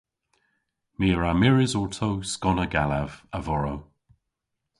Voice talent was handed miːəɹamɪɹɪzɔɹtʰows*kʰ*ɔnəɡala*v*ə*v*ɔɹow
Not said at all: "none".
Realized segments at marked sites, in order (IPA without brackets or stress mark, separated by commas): k, v, v